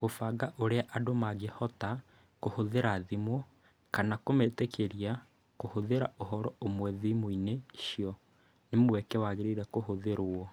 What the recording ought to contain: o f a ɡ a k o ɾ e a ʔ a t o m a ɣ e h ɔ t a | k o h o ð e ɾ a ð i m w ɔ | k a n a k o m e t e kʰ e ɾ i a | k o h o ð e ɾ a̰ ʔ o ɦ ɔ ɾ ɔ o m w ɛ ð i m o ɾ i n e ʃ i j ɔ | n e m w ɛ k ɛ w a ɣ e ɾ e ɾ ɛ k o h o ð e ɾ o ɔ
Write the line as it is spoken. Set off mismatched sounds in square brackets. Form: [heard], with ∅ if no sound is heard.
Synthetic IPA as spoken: o f a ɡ a [ʔ] o ɾ e a ʔ a [d] o m a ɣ e h ɔ t a | k o h o ð e ɾ a ð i m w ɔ | k a n a k o m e t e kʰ e ɾ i a | k o h o ð e ɾ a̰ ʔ o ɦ ɔ ɾ ɔ o m w ɛ ð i m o [∅] i n e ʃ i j ɔ | n e m w ɛ k ɛ w a ɣ e ɾ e ɾ ɛ k o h o ð e ɾ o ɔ